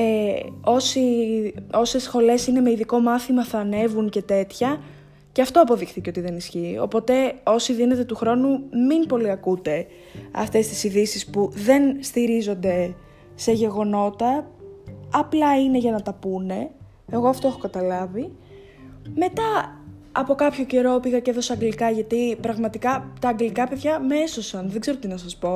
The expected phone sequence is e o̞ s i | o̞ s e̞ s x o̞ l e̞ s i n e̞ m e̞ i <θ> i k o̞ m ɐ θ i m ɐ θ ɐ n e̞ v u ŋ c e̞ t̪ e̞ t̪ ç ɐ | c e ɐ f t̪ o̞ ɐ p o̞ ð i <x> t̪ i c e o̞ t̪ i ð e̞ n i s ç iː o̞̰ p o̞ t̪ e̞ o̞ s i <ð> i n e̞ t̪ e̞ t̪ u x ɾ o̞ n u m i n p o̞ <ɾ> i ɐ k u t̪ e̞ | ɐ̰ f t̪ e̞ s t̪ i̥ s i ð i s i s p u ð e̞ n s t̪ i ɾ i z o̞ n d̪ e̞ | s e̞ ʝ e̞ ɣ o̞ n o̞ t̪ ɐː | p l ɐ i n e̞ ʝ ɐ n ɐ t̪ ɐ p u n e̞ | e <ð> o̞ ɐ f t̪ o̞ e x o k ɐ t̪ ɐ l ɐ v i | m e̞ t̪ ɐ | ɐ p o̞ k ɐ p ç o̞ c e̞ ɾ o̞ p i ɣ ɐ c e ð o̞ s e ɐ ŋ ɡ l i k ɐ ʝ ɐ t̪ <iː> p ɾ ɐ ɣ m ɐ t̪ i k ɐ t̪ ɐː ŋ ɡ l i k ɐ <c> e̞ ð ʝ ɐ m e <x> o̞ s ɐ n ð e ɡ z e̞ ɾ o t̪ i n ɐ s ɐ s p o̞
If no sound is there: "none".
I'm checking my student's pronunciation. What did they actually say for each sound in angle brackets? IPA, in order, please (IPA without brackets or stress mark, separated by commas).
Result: ð, x, ð, l, ɣ, i, p, s